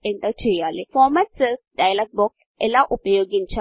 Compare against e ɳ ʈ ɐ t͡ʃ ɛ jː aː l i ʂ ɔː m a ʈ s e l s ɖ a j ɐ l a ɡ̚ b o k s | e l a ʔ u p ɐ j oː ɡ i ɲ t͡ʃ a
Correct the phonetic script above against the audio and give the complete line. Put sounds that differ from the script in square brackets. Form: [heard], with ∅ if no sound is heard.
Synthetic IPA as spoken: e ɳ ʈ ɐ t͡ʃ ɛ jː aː l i [f] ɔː m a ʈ s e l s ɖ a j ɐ l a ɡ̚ b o k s | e l a ʔ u p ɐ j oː ɡ i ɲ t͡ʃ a